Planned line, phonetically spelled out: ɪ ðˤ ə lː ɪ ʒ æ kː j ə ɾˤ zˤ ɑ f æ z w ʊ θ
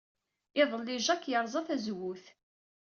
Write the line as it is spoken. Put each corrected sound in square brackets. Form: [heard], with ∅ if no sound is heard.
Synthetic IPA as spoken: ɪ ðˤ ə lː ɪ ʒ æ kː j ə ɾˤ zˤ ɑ [θ] æ z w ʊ θ